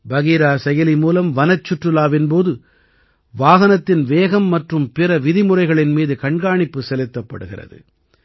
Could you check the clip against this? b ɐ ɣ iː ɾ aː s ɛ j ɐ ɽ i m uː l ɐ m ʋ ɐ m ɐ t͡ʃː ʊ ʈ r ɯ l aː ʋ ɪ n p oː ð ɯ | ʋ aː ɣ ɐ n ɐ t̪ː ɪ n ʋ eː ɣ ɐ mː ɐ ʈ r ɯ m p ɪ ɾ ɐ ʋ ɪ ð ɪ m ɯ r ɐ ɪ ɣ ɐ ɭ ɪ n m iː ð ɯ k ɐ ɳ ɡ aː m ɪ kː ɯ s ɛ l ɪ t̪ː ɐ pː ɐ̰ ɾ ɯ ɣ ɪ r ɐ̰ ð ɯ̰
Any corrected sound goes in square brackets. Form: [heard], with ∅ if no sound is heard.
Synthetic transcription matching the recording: b ɐ ɣ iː ɾ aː s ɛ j ɐ [l] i m uː l ɐ m ʋ ɐ [n] ɐ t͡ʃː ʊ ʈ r ɯ l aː ʋ ɪ n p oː ð ɯ | ʋ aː ɣ ɐ n ɐ t̪ː ɪ n ʋ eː ɣ ɐ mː ɐ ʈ r ɯ m p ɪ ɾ ɐ ʋ ɪ ð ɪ m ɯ r ɐ ɪ ɣ ɐ ɭ ɪ n m iː ð ɯ k ɐ ɳ ɡ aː [ɳ] ɪ [pː] ɯ s ɛ l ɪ t̪ː ɐ pː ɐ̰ [ɽ] ɯ ɣ ɪ r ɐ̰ ð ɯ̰